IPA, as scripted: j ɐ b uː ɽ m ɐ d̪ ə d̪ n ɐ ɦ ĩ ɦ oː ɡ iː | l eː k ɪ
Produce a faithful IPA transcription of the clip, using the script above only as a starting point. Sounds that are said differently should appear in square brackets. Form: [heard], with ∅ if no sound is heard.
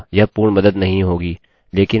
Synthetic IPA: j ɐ [p] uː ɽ m ɐ d̪ ə d̪ n ɐ ɦ ĩ ɦ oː ɡ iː | l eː k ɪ